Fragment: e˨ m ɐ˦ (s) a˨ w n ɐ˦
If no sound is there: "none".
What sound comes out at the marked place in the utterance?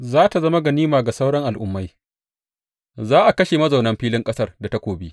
z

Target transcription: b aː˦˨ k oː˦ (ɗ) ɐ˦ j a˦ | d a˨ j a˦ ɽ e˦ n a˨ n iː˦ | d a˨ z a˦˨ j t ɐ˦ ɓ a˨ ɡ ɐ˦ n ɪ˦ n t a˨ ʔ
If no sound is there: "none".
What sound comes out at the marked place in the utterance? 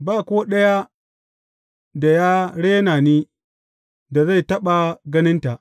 ɗ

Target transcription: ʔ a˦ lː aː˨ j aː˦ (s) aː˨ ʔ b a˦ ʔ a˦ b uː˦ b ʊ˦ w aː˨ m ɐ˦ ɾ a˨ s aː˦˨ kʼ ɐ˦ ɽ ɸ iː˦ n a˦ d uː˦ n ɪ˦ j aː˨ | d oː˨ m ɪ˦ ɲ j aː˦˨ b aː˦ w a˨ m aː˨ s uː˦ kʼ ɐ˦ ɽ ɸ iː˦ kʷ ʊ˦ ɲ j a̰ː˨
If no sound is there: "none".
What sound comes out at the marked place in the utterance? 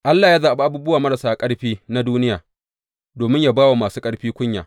z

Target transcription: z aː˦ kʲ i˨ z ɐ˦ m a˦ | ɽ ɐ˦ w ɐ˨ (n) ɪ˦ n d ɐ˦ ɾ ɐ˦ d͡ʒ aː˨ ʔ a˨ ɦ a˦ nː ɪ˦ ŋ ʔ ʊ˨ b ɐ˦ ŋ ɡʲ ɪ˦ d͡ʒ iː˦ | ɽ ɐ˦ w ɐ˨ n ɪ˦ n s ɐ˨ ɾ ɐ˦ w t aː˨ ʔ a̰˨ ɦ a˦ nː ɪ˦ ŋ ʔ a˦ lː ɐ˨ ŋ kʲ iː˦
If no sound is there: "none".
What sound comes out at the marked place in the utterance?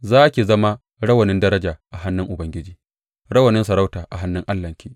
n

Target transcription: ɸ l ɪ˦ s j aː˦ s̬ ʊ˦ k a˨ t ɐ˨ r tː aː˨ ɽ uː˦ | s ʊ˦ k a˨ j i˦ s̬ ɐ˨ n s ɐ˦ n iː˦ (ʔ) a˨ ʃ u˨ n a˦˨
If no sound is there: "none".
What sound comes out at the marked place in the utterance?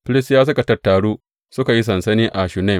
ʔ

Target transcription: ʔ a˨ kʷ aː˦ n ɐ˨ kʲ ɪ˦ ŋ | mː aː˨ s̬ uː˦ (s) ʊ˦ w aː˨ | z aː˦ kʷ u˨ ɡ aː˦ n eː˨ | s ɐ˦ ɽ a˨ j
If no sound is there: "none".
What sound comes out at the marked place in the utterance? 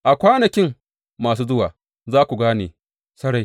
z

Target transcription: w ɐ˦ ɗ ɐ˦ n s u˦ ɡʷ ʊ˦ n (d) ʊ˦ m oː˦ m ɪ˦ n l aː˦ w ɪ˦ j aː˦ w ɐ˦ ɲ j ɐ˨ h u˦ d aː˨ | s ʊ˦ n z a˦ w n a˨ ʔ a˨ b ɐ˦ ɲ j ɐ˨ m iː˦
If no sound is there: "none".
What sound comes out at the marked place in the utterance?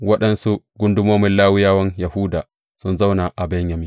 d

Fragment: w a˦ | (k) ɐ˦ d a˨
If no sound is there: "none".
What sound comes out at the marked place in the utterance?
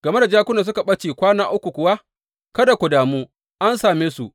k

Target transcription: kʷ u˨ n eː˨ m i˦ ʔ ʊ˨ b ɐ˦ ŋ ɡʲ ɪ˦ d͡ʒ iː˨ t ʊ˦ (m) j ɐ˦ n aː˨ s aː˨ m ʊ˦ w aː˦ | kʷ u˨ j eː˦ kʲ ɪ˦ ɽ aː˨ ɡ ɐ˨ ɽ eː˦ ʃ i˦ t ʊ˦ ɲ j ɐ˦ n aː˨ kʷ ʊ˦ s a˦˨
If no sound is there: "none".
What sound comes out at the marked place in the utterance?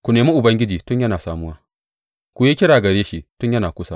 ɲ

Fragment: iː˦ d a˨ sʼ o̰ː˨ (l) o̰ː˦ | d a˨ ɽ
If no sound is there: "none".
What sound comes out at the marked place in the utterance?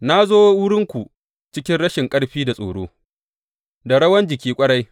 ɽ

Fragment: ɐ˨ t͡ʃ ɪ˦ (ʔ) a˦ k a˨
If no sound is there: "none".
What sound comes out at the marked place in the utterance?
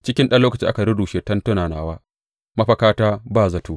ʔ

